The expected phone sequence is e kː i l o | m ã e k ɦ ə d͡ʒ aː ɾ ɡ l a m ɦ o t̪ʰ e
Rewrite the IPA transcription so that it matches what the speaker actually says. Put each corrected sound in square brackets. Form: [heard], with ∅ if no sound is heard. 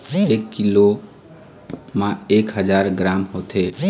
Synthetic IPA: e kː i l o | m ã e k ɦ ə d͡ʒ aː ɾ ɡ [ɾ] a m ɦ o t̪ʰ e